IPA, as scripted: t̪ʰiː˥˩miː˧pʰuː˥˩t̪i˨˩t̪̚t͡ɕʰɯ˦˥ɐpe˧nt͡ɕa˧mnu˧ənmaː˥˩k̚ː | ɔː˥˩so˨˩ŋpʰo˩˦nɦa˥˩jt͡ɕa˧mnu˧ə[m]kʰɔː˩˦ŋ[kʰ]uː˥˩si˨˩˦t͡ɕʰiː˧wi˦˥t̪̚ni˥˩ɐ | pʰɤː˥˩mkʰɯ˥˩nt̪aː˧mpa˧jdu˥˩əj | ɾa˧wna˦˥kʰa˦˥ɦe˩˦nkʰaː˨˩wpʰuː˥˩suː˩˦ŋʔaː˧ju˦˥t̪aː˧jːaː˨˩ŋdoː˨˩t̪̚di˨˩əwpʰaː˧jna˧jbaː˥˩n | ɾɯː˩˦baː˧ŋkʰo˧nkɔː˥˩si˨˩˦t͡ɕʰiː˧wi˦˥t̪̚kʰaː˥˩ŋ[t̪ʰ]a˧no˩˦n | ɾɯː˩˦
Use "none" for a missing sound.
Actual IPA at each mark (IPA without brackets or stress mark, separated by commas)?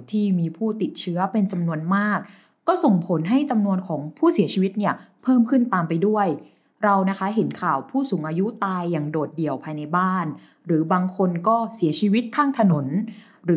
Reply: n, pʰ, t̪ʰ